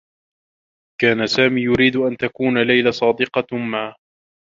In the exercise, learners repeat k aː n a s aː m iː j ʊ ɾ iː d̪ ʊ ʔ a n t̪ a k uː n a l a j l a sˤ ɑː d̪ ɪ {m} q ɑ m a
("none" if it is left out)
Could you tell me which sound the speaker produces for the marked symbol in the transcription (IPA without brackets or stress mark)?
none